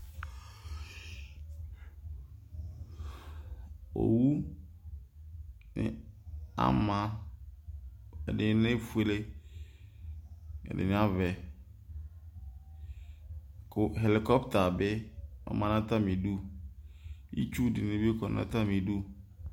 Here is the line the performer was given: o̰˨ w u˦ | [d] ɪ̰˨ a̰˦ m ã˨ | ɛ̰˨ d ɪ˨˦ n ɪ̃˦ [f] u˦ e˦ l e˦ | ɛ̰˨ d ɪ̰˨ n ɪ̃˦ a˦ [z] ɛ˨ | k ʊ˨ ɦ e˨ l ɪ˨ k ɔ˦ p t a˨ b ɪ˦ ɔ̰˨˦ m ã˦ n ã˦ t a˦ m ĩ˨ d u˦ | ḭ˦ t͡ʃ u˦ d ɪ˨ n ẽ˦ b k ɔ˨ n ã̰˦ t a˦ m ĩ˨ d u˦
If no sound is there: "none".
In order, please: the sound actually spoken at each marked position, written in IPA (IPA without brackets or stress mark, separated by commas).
n, f, v